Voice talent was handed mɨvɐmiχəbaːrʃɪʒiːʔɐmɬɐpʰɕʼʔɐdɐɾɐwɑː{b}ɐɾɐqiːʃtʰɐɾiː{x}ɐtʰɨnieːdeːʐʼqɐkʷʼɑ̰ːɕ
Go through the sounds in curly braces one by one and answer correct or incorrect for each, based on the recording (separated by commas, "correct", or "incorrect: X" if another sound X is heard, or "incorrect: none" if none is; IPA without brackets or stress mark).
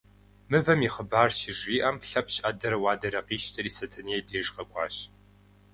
incorrect: d, incorrect: s